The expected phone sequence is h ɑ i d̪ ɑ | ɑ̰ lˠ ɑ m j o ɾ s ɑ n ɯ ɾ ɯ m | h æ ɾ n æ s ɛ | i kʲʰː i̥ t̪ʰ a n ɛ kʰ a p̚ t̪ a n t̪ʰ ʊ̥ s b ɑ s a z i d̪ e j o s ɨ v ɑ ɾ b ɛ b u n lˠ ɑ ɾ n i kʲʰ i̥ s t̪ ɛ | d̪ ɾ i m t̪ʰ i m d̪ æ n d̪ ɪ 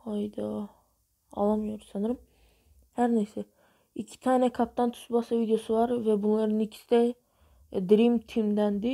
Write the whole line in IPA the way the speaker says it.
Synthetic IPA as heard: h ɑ j d̪ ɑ | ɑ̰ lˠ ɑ m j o ɾ s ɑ n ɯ ɾ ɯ m | h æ ɾ n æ s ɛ | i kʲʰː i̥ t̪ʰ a n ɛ kʰ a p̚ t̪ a n t̪ʰ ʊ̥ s b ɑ s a v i d̪ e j o s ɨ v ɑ ɾ v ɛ b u n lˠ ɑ ɾ n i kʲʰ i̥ s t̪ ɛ | d̪ ɾ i m t̪ʰ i m d̪ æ n d̪ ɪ